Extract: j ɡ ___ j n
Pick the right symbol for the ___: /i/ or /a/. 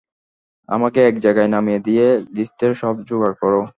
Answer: a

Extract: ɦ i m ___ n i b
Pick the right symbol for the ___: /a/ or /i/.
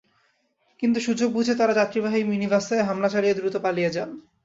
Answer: i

